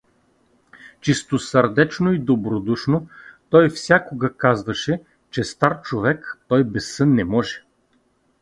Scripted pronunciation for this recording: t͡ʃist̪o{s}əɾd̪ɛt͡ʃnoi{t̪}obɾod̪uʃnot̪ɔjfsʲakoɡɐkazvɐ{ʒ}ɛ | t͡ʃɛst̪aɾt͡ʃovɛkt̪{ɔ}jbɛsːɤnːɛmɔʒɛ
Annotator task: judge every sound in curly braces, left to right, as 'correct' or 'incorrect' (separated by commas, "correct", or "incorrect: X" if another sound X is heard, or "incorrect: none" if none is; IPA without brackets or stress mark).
correct, incorrect: d̪, incorrect: ʃ, correct